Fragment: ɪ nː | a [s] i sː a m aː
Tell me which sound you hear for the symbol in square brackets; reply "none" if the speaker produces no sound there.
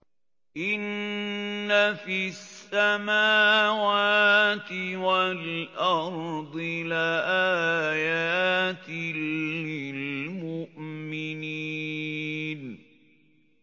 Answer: f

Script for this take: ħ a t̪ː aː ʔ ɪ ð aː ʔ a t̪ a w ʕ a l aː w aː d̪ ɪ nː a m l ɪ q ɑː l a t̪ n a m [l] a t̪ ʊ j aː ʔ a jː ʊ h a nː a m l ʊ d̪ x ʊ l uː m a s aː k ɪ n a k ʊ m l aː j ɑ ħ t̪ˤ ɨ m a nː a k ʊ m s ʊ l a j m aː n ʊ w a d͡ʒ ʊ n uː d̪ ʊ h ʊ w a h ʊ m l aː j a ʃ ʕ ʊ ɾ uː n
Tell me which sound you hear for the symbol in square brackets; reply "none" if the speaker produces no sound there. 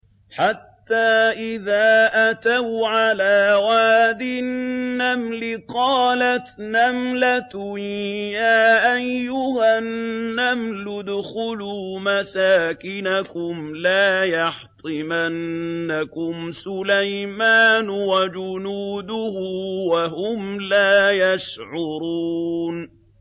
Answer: l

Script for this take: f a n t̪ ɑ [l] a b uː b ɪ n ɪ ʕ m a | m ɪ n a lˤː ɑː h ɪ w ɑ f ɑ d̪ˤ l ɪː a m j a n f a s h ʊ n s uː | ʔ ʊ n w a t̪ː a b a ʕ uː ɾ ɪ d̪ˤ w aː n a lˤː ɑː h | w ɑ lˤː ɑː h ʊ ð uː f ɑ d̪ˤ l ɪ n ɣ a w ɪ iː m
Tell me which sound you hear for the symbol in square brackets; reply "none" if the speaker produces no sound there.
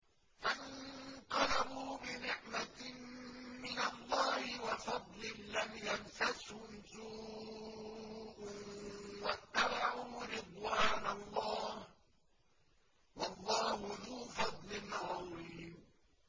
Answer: l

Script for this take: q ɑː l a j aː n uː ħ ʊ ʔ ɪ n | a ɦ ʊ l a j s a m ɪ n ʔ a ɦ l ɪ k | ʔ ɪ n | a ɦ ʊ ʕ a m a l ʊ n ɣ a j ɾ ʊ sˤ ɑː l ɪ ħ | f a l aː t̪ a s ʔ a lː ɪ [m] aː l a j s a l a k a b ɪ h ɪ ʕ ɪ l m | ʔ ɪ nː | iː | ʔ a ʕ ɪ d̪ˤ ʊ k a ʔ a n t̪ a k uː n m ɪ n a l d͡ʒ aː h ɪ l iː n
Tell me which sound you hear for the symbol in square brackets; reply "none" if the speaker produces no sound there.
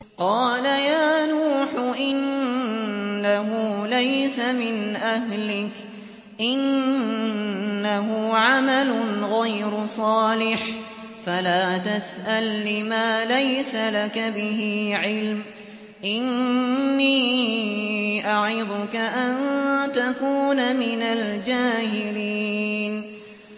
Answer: m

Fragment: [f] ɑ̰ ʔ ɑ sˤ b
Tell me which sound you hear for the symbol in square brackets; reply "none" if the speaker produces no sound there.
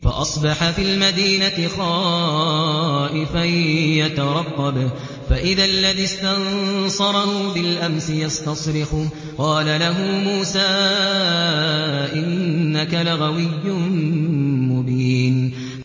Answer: f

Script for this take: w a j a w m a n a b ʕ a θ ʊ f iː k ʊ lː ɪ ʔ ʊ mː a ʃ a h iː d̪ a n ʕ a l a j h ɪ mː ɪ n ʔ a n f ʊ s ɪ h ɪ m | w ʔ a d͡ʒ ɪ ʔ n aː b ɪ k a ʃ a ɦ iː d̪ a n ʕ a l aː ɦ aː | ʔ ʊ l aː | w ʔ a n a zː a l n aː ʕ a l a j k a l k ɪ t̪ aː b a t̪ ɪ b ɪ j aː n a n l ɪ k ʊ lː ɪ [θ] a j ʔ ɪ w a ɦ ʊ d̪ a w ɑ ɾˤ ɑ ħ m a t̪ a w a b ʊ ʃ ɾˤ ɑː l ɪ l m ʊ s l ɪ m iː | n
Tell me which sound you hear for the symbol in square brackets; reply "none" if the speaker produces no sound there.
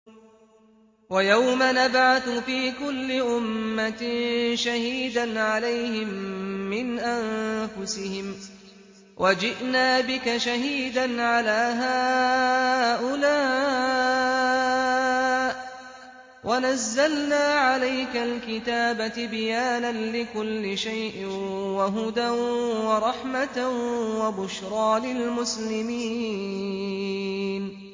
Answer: ʃ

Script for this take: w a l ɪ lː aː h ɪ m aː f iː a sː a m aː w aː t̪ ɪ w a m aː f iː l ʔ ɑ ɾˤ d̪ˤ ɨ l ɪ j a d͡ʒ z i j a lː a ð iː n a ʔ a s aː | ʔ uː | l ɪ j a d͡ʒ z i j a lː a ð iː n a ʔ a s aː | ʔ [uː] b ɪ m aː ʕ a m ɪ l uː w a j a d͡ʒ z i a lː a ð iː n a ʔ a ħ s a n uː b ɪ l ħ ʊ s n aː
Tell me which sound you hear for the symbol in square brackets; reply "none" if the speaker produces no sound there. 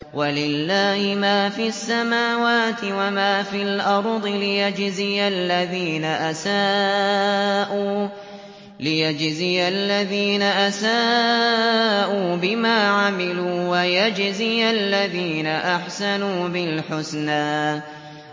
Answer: uː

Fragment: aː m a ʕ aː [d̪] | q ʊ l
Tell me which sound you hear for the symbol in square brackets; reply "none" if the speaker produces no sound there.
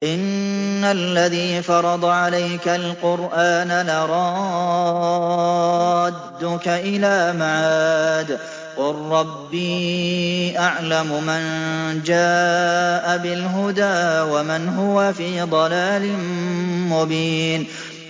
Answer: d̪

